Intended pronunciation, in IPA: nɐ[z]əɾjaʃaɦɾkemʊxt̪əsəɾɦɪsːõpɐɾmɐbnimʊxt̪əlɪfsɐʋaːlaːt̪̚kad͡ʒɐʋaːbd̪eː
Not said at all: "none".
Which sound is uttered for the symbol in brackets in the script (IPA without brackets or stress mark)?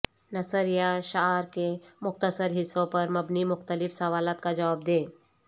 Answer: s